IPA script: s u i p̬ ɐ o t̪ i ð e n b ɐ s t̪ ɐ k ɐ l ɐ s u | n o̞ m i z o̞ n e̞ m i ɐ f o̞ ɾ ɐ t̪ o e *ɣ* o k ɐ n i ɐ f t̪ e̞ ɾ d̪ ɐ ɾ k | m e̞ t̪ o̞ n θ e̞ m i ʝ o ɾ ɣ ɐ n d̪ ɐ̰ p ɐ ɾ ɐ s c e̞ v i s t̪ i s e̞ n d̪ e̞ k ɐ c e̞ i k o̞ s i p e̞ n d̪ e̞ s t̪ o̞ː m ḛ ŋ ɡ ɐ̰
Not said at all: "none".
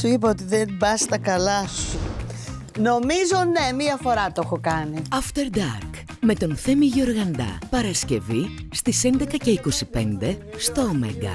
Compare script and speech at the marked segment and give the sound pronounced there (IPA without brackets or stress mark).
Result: x